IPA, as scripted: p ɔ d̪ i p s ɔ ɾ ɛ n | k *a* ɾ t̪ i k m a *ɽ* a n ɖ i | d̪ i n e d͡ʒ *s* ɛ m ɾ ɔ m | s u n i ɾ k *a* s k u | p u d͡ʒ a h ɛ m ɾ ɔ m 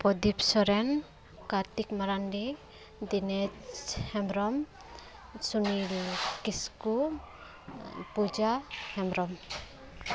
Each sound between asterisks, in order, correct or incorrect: correct, incorrect: ɾ, incorrect: h, incorrect: i

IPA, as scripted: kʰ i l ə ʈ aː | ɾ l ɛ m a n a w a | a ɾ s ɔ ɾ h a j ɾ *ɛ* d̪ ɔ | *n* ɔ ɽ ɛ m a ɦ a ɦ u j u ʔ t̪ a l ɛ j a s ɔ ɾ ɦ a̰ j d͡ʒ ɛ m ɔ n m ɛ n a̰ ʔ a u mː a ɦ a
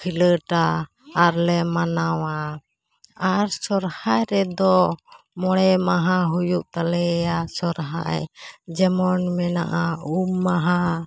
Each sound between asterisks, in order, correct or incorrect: correct, incorrect: m

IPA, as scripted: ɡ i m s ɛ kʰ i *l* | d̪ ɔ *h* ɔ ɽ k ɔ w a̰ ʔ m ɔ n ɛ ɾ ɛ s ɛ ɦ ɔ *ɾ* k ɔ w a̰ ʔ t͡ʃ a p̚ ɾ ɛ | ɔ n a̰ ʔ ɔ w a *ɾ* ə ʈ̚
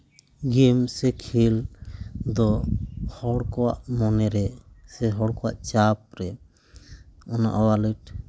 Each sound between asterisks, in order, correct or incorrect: correct, correct, incorrect: ɽ, incorrect: l

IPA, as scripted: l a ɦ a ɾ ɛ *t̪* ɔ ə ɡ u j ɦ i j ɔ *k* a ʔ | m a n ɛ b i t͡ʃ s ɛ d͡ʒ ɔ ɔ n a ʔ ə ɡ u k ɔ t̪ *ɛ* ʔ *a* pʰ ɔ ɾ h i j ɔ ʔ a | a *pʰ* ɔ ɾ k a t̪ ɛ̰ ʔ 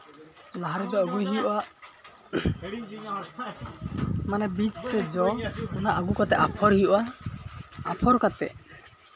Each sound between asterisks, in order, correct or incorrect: incorrect: d̪, incorrect: ʔ, correct, correct, correct

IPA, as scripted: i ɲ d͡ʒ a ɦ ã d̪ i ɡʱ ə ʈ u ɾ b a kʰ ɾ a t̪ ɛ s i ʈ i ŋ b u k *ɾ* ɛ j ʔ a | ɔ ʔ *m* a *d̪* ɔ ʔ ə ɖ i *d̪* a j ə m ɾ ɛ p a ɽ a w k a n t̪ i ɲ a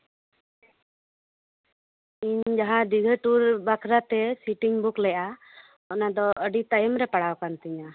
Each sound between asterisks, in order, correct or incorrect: incorrect: l, incorrect: n, correct, incorrect: t̪

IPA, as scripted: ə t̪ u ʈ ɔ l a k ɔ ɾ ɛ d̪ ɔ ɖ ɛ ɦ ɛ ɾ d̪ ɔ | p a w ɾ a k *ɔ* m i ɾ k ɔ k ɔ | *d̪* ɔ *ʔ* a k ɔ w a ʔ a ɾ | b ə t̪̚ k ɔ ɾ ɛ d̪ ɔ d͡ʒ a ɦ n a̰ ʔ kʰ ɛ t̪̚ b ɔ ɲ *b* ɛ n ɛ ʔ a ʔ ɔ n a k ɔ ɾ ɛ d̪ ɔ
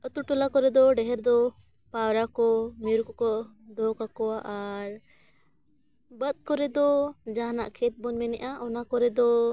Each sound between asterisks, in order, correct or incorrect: correct, correct, incorrect: k, incorrect: m

